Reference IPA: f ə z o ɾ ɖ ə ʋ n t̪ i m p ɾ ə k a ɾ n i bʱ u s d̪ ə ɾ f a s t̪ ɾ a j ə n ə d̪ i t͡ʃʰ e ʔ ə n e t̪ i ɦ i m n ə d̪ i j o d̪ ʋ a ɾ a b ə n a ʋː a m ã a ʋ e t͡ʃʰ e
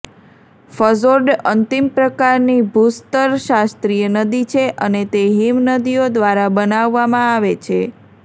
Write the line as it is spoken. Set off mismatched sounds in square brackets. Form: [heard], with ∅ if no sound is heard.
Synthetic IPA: f ə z o ɾ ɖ ə [∅] n t̪ i m p ɾ ə k a ɾ n i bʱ u s [t̪] ə ɾ [ʃ] a s t̪ ɾ [i] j ə n ə d̪ i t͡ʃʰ e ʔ ə n e t̪ [e] ɦ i m n ə d̪ i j o d̪ ʋ a ɾ a b ə n a ʋː a m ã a ʋ e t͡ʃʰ e